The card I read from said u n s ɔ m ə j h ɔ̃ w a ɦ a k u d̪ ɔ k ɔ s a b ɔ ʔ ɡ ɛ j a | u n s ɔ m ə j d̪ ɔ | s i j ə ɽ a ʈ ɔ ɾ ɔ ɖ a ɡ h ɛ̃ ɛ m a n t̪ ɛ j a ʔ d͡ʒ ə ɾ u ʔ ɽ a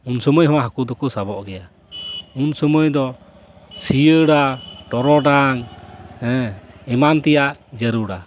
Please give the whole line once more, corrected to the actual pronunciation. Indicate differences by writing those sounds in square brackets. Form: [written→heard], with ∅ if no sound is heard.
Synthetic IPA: u n s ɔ m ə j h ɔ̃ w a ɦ a k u d̪ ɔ k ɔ s a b ɔ ʔ ɡ ɛ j a | u n s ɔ m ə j d̪ ɔ | s i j ə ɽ a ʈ ɔ ɾ ɔ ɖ a [ɡ→ŋ] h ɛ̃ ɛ m a n t̪ ɛ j a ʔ d͡ʒ ə ɾ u [ʔ→∅] ɽ a